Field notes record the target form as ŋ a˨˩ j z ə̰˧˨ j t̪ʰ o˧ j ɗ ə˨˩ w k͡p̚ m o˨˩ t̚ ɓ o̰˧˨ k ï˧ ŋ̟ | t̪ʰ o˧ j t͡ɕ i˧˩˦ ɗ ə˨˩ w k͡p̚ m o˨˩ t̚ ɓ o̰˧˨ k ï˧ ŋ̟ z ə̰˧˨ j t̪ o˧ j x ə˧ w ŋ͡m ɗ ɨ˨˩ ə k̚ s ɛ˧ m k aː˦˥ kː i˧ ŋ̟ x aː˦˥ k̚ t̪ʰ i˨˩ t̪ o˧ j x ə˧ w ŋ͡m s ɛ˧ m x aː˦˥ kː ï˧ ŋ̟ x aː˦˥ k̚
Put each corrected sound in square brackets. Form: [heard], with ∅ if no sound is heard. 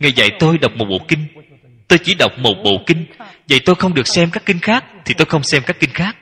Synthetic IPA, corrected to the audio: ŋ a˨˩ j z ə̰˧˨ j [t̪] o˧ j ɗ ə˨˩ w k͡p̚ m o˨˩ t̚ ɓ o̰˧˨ k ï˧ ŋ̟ | [t̪] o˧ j t͡ɕ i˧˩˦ ɗ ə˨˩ w k͡p̚ m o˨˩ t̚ ɓ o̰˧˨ k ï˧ ŋ̟ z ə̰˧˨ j t̪ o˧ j x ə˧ w ŋ͡m ɗ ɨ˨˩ ə k̚ s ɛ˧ m k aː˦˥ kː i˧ ŋ̟ x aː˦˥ k̚ t̪ʰ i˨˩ t̪ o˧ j x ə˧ w ŋ͡m s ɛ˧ m [k] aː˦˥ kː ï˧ ŋ̟ x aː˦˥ k̚